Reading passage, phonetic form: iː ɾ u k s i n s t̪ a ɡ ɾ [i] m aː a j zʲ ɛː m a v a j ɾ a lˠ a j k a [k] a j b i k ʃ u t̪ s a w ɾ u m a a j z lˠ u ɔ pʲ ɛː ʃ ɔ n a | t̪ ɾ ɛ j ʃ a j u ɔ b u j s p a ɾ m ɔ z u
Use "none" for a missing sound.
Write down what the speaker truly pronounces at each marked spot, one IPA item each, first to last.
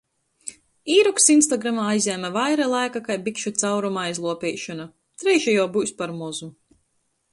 a, k

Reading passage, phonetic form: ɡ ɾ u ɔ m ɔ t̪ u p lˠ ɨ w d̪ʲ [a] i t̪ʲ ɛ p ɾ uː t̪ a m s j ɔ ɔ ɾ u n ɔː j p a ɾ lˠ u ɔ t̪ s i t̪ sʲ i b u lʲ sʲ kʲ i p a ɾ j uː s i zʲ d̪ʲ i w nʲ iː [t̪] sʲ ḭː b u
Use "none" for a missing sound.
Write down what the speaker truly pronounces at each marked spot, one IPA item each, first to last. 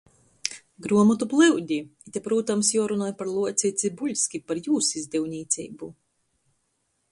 i, t̪

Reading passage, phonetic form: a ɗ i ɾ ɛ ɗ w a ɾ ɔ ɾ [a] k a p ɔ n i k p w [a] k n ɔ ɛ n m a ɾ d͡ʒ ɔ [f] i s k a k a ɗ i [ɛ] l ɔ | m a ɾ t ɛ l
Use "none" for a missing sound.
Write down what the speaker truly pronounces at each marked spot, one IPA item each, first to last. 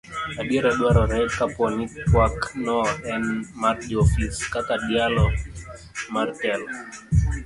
ɛ, a, f, a

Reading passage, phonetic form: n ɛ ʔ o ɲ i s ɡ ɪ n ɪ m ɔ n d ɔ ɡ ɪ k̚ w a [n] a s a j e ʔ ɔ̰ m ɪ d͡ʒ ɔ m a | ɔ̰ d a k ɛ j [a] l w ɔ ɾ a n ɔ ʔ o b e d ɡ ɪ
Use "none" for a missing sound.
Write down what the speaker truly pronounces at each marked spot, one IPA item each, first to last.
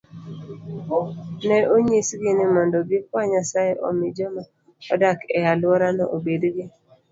ɲ, a

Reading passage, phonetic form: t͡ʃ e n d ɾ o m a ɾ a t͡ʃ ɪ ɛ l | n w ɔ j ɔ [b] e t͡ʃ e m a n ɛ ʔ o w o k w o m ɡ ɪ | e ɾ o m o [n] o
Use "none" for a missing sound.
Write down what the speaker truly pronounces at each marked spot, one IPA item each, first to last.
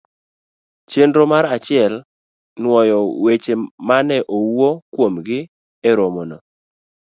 w, n

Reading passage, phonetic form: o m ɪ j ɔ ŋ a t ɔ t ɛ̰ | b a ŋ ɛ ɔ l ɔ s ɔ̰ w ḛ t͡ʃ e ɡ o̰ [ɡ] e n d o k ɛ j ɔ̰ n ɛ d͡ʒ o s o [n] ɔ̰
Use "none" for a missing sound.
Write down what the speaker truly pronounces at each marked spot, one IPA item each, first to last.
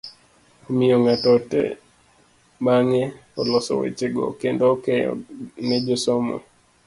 k, m

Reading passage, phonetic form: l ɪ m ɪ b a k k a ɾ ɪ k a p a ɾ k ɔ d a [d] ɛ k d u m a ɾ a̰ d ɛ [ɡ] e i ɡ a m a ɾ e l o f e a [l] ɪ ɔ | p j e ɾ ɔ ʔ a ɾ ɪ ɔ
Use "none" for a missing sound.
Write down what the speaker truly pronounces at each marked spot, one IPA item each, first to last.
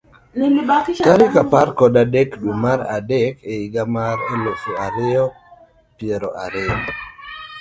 d, k, ɾ

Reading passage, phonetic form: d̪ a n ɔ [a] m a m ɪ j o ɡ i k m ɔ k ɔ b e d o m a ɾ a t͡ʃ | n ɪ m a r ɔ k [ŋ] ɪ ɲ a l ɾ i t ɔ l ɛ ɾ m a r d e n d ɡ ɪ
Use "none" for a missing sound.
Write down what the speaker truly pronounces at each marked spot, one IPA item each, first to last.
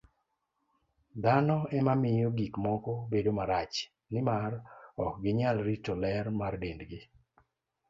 ɛ, ɡ

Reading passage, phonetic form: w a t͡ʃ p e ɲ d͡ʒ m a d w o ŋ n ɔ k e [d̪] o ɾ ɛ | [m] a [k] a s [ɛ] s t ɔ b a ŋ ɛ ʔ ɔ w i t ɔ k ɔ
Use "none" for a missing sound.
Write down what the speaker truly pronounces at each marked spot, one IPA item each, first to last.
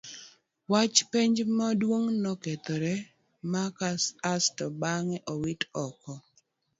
t̪, m, k, a

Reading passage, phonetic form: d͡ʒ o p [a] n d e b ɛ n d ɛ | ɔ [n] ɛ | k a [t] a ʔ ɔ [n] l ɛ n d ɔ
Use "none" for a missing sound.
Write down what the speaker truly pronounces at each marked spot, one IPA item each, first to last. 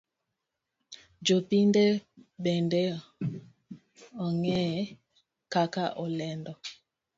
i, ŋ, k, none

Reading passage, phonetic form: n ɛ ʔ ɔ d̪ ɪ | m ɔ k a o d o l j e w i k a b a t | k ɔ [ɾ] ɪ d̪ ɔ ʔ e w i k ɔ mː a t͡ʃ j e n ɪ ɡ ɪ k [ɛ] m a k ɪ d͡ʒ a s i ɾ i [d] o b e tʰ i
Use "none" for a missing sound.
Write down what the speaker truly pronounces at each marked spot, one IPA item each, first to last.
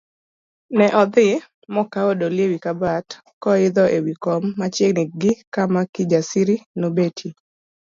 none, a, n

